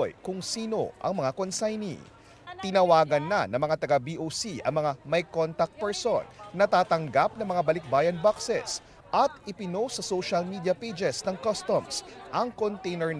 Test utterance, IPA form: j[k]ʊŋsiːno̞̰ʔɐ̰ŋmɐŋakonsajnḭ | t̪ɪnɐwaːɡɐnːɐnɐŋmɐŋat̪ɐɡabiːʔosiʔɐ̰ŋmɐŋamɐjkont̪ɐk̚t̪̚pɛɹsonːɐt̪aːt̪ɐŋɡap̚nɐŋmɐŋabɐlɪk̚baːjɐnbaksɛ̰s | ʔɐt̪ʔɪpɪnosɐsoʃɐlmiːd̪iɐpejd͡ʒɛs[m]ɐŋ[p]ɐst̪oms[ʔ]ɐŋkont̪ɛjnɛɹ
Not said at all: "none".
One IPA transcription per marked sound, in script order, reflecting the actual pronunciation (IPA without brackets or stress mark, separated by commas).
k, n, k, ʔ